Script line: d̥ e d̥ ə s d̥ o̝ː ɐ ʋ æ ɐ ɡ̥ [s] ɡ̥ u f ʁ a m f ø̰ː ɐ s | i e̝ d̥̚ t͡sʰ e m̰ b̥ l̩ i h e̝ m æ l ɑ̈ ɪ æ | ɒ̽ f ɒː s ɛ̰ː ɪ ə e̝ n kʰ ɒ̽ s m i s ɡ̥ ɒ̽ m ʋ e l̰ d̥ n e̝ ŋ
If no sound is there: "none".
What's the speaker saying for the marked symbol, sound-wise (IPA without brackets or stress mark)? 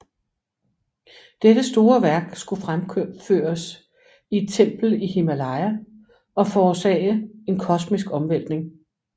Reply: s